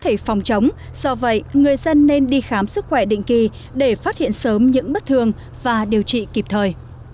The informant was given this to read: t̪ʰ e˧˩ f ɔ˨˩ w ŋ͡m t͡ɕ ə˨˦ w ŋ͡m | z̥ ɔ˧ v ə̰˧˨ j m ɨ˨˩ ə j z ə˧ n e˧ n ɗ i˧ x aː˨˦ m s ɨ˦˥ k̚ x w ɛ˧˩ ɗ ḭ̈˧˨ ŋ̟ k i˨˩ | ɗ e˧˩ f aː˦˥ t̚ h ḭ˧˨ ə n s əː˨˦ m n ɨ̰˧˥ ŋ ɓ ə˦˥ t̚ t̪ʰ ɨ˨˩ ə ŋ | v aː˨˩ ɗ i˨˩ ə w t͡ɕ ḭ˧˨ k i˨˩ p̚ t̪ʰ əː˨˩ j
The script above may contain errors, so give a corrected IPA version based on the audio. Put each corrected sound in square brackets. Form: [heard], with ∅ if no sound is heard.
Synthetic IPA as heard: t̪ʰ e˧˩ f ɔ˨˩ w ŋ͡m t͡ɕ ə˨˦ w ŋ͡m | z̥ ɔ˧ v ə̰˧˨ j [ŋ] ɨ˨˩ ə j z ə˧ [nː] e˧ n ɗ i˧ x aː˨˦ m s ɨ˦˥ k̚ x w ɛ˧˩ ɗ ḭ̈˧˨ ŋ̟ k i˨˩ | ɗ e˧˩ f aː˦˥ t̚ h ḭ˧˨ ə n s əː˨˦ m [ɲ] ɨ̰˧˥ ŋ ɓ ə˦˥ t̚ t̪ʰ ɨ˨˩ ə ŋ | v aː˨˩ ɗ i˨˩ ə w t͡ɕ ḭ˧˨ k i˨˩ p̚ t̪ʰ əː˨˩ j